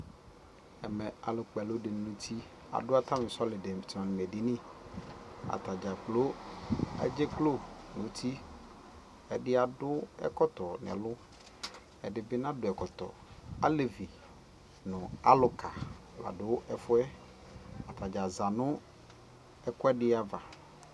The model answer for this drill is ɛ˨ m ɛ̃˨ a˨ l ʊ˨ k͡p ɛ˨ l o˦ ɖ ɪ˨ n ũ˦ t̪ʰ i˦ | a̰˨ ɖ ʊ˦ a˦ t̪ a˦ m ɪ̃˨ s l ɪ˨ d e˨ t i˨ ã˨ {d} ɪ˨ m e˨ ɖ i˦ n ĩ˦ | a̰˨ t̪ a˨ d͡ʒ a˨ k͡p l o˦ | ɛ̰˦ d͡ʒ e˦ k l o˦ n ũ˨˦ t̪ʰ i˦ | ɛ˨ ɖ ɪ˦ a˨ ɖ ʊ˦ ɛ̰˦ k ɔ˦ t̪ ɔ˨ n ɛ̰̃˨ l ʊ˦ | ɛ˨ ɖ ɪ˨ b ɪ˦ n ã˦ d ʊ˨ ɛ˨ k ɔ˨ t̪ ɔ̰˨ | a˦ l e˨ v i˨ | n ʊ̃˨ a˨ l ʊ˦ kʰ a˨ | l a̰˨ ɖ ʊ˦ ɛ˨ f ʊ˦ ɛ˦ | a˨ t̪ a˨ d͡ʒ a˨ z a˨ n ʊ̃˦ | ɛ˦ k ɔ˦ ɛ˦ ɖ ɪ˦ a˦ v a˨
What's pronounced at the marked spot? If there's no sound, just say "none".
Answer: n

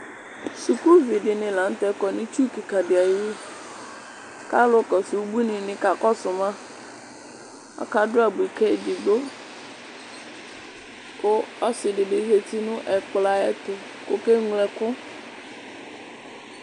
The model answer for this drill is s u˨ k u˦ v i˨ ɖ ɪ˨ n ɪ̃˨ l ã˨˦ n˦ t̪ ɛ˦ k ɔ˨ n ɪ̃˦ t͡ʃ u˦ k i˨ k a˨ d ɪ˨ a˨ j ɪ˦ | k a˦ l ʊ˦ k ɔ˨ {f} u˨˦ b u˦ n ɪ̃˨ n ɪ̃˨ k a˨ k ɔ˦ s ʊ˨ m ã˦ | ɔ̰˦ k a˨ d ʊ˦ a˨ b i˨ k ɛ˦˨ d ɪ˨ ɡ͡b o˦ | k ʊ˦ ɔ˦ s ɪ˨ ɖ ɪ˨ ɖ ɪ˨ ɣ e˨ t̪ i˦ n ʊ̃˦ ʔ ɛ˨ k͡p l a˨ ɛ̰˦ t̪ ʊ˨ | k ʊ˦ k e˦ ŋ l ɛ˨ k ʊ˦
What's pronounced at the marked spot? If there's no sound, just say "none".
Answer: s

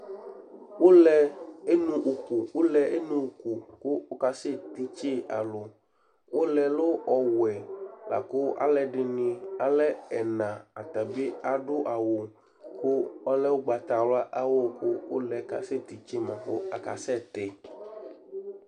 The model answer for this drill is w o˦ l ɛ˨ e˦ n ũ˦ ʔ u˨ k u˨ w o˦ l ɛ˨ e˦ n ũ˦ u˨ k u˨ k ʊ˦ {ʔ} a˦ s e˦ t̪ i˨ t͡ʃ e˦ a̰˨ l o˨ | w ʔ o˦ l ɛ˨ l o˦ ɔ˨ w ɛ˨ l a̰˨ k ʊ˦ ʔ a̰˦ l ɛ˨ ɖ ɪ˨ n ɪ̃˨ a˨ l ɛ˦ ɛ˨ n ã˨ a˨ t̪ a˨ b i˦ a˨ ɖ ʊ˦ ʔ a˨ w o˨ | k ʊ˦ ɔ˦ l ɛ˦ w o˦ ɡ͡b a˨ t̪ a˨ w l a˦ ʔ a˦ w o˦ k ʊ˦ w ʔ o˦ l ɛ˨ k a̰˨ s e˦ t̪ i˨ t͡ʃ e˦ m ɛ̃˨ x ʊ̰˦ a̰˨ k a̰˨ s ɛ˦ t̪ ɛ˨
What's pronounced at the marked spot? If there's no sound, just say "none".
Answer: k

